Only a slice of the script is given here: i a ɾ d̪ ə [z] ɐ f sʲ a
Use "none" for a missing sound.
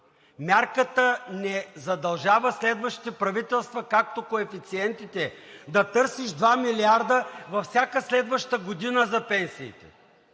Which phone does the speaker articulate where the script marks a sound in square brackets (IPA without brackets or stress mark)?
v